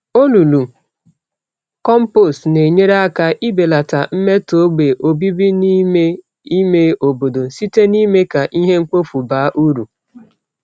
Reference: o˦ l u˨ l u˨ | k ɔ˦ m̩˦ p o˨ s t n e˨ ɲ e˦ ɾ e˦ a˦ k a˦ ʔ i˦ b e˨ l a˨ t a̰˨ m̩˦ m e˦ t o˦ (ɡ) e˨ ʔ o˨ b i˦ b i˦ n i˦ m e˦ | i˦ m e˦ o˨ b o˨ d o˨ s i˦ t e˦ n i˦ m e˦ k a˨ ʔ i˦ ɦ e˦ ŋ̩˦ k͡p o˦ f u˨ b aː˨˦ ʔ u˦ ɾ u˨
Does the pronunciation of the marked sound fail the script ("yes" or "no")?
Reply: yes